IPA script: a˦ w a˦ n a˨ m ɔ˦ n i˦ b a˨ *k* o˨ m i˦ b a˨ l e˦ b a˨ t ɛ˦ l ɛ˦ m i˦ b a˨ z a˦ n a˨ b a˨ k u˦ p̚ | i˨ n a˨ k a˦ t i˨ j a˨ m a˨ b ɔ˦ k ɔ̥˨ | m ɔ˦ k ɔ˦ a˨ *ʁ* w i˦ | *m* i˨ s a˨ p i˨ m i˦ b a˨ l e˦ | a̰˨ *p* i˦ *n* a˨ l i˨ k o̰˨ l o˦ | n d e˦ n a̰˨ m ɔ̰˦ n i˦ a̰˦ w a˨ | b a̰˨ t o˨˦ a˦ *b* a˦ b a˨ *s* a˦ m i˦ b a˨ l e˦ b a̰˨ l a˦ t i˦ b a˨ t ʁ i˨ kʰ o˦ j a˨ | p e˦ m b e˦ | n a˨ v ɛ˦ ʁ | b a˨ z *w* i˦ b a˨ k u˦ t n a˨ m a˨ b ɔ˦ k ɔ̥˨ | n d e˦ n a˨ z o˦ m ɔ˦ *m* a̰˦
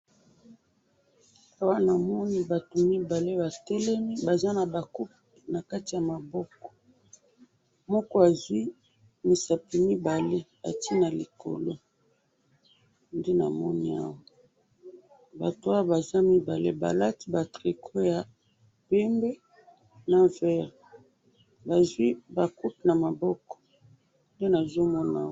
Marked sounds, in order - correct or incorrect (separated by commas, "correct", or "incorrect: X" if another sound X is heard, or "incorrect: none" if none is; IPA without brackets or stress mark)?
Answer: incorrect: t, incorrect: z, correct, incorrect: t, correct, incorrect: w, incorrect: z, correct, incorrect: n